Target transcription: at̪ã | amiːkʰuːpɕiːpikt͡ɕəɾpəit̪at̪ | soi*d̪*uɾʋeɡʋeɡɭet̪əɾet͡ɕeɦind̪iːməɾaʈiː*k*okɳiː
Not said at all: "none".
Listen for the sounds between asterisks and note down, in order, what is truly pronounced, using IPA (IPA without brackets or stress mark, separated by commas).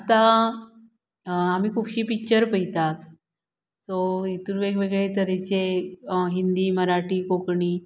t̪, k